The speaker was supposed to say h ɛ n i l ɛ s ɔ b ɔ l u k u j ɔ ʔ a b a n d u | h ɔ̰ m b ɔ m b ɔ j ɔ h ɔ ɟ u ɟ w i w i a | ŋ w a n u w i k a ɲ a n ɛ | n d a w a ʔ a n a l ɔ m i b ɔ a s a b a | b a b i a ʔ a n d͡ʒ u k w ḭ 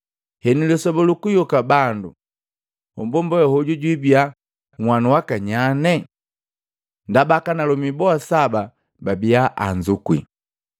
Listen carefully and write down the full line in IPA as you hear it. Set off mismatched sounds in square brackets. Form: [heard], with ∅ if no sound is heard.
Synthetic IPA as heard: h ɛ n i l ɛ s ɔ b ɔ l u k u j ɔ [k] a b a n d u | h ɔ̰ m b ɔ m b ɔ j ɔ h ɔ ɟ u ɟ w i [b] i a | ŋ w a n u w [a] k a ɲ a n ɛ | n d a [b] a [k] a n a l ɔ m i b ɔ a s a b a | b a b i a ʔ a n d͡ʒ u k w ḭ